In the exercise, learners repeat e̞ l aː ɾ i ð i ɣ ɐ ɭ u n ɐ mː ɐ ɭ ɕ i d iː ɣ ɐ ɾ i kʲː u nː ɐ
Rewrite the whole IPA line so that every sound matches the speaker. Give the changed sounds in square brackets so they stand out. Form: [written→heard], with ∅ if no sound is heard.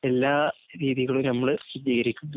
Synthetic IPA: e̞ [l→lː] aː ɾ [i→iː] ð i ɣ ɐ ɭ u n ɐ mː ɐ ɭ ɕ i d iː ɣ ɐ ɾ i kʲː u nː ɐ